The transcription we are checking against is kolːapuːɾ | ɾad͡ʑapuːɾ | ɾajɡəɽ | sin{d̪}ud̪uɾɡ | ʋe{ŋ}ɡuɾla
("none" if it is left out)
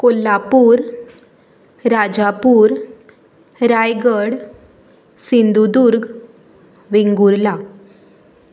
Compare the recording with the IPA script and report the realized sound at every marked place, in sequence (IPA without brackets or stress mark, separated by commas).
d̪, ŋ